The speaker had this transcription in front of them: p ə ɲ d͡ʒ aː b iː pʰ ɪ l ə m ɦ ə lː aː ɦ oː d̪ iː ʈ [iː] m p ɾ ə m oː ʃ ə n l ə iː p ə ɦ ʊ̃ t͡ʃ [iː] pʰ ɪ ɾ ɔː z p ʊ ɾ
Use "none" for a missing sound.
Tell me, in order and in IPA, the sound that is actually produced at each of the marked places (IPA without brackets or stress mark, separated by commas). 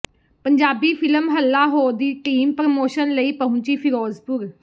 iː, iː